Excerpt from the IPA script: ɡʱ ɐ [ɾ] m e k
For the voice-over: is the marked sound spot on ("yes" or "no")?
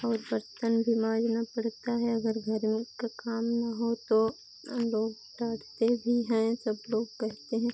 yes